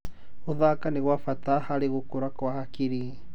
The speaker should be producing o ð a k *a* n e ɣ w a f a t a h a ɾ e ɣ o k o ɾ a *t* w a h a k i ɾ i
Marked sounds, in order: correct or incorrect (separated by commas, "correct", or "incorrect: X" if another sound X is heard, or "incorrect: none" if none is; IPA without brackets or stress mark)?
correct, incorrect: k